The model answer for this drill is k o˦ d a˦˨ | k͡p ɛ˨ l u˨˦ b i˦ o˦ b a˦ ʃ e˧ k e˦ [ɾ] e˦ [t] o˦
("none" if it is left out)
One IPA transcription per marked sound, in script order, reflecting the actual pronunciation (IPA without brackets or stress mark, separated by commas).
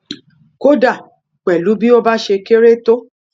ɾ, t